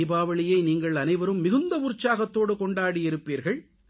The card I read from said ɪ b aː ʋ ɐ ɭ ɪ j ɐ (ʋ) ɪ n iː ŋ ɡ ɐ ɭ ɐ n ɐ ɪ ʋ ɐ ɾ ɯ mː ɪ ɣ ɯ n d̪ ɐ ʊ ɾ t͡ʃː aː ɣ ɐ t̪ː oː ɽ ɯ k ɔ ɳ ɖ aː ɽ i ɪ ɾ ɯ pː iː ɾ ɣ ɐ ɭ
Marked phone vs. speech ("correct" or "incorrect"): incorrect